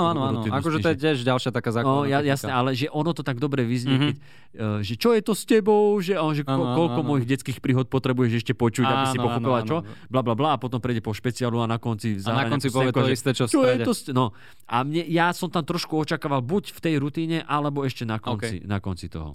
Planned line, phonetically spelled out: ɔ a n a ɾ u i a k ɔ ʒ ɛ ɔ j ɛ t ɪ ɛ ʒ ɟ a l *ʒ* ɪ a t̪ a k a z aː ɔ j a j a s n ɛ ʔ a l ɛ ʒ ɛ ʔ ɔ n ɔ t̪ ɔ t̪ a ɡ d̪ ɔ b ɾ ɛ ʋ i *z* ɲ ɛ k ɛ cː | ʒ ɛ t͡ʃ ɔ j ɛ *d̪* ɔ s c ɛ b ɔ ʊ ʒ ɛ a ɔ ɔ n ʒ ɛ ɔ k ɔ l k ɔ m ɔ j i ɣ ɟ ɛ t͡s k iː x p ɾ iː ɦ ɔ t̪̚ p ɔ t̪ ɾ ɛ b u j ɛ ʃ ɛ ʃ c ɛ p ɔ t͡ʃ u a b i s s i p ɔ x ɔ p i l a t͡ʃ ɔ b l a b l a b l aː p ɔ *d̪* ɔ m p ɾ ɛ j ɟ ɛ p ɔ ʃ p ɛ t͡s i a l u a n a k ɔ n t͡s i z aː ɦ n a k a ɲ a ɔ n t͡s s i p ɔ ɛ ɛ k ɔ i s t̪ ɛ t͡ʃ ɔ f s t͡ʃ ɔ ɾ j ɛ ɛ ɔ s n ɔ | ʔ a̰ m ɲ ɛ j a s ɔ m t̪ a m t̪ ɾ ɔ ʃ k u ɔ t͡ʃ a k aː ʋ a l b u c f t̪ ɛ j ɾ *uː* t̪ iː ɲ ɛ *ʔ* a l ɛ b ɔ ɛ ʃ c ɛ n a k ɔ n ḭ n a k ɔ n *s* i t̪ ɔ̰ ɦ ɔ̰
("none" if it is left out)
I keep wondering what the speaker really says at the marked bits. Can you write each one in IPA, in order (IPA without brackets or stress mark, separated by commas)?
ʃ, z, t̪, t̪, u, ʔ, t͡s